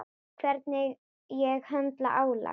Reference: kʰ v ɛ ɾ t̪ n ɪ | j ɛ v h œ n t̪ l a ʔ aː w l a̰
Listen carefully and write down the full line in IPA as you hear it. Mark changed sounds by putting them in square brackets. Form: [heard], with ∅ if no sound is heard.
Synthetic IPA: kʰ v ɛ ɾ t̪ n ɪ | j ɛ [ɣ] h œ n t̪ l a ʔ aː w l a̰